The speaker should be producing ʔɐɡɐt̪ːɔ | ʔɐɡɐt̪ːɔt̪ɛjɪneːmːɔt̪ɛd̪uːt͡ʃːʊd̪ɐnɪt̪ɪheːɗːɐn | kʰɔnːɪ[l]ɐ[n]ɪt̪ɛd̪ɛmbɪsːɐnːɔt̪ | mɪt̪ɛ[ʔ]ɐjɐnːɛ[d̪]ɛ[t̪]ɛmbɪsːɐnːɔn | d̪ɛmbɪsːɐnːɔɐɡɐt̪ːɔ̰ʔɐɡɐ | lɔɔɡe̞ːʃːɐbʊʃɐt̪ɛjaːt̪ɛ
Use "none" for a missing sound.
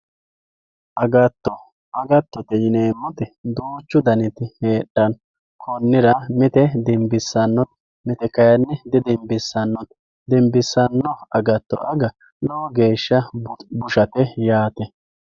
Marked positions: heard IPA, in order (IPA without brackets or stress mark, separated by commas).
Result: ɾ, m, k, d̪, d̪